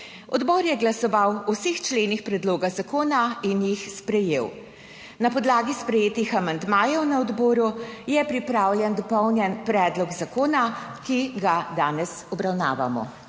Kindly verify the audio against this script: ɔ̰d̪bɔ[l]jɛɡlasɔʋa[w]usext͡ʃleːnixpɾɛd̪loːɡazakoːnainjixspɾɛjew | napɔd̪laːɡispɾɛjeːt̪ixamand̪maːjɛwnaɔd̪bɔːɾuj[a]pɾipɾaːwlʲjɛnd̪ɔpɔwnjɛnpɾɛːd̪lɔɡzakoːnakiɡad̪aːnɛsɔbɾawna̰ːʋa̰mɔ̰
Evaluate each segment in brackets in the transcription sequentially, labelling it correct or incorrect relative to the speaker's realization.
incorrect, correct, incorrect

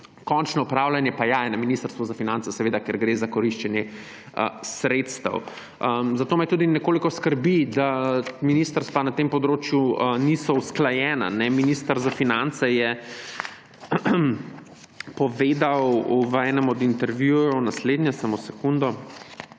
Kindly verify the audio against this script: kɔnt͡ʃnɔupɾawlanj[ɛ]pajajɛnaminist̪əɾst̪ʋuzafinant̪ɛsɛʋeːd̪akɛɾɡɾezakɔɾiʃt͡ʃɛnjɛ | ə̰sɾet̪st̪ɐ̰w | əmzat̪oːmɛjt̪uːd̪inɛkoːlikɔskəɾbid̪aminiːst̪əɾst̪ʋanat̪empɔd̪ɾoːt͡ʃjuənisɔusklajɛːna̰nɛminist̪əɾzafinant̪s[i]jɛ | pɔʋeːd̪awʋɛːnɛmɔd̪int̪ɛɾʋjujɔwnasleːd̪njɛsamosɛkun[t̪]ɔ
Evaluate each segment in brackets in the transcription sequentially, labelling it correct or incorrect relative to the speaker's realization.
correct, incorrect, incorrect

